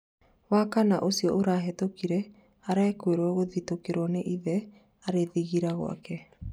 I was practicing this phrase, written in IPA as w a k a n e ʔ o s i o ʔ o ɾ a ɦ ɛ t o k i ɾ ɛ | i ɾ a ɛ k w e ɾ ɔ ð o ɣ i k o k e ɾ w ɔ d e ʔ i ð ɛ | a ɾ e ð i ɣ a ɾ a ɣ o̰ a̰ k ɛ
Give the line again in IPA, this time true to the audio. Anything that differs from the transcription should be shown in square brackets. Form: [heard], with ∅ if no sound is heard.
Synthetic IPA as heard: w a k a n [a] ʔ o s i [ɔ] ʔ o ɾ a ɦ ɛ t o k i ɾ ɛ | [a] ɾ a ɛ k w e ɾ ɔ [ɣ] o [ð] i [t] o k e ɾ w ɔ [n] e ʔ i ð ɛ | a ɾ e ð i ɣ [i] ɾ a ɣ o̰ a̰ k ɛ